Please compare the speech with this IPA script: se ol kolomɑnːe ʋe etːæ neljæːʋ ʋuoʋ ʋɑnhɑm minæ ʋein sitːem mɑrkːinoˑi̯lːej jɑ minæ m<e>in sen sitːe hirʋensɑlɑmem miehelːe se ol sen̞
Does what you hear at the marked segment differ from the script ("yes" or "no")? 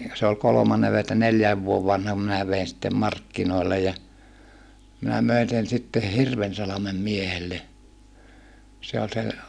yes